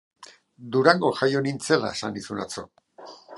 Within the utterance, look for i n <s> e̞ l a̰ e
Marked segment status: incorrect: t͡s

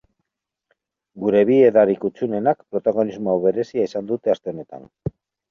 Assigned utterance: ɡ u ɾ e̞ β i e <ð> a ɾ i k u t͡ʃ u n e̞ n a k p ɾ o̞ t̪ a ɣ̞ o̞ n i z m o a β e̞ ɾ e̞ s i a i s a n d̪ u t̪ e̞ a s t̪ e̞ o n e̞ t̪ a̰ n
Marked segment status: correct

